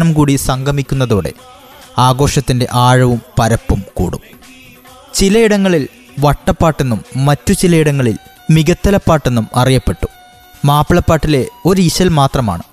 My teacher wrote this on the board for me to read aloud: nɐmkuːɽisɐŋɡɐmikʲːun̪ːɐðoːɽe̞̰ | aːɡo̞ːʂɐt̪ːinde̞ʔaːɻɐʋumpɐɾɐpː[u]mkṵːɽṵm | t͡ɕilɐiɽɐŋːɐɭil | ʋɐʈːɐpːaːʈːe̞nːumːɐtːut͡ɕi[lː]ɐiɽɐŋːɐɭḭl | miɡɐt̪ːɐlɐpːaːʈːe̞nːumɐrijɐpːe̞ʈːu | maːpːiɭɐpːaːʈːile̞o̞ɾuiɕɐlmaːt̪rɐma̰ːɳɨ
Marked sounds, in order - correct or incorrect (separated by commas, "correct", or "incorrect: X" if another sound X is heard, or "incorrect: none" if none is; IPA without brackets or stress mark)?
correct, incorrect: l